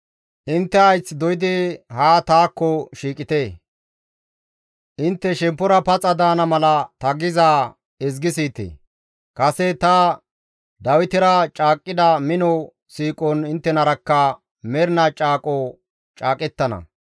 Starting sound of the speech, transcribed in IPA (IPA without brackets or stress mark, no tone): ʔ